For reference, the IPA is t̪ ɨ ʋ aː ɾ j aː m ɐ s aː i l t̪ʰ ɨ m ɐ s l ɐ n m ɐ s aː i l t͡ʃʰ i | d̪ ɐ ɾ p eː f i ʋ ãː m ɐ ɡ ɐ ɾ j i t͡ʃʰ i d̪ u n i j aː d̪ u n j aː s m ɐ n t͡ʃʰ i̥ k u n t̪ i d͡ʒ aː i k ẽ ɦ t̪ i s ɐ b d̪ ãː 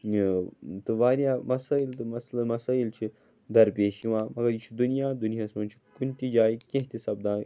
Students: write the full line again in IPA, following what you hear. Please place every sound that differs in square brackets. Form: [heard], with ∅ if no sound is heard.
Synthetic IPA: t̪ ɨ ʋ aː ɾ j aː m ɐ s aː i l [t̪] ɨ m ɐ s l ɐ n m ɐ s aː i l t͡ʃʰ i | d̪ ɐ ɾ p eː [ʃ] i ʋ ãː m ɐ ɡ ɐ ɾ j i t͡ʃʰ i d̪ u n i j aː d̪ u n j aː s m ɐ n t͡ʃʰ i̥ k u n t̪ i d͡ʒ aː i k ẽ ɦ t̪ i s ɐ b d̪ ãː